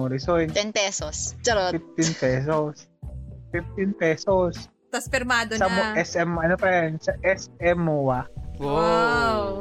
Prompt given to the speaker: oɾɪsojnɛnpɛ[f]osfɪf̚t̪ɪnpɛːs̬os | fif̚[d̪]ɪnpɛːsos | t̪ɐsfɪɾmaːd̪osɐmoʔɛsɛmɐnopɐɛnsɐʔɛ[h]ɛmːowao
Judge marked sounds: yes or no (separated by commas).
no, no, no